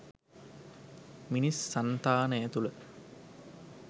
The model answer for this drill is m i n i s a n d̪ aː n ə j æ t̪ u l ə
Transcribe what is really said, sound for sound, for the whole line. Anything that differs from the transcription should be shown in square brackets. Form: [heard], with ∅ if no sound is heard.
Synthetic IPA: m i n i [sː] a n [t̪] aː n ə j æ t̪ u l ə